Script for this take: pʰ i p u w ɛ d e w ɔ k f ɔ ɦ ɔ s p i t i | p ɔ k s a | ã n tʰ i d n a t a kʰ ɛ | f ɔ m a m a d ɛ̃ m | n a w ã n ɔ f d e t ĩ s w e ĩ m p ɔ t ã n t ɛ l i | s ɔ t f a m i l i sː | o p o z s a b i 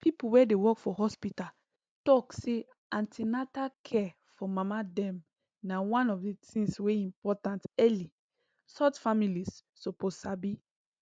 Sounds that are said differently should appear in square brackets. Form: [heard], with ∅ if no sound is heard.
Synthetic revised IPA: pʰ i p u w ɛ d e w ɔ k f ɔ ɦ ɔ s p i t [a] | [t] ɔ k s [e] | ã n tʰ i [∅] n a t a kʰ ɛ | f ɔ m a m a d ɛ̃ m | n a w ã n ɔ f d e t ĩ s w e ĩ m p ɔ t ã n t ɛ l i | s ɔ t f a m i l i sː | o p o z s a b i